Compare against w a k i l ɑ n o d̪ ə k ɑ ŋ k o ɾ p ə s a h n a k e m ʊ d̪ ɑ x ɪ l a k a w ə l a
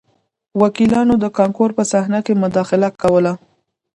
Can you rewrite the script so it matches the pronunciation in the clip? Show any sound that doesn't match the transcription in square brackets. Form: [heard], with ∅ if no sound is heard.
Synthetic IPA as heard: w a k i l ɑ n o d̪ ə k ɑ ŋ k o ɾ p ə s a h n a k e m ʊ d̪ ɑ x ɪ l a k a w ə l a